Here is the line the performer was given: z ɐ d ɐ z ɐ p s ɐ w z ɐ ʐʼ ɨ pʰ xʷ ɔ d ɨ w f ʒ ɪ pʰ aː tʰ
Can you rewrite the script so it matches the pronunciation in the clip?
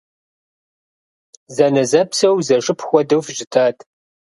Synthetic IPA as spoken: z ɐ n ɐ z ɐ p s ɐ w z ɐ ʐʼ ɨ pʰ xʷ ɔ d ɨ w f ʒ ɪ tʰ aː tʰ